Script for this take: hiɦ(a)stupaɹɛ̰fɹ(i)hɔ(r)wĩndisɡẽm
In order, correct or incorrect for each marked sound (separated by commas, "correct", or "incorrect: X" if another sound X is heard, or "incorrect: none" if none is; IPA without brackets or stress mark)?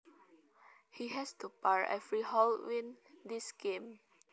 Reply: incorrect: ɛ, correct, incorrect: l